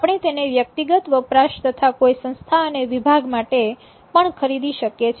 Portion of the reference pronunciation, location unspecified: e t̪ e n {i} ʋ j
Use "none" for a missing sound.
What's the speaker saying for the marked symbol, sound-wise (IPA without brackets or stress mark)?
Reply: e